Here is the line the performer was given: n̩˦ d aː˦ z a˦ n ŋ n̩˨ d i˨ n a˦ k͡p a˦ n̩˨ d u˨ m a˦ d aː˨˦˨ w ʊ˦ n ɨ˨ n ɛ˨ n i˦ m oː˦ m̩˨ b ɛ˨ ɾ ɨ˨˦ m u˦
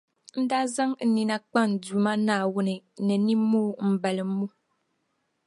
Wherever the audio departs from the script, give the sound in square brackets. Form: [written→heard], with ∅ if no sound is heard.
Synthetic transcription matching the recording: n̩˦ d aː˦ z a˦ [n→∅] ŋ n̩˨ [d→n] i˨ n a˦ k͡p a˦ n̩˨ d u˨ m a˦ [d→n] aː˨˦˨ w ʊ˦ n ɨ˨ n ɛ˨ n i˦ m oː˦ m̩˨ b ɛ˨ [ɾ→l] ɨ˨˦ m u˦